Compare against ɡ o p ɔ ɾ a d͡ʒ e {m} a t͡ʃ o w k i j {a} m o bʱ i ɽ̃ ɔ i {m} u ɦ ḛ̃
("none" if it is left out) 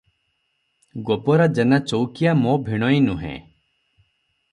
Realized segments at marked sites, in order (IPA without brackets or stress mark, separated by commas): n, a, n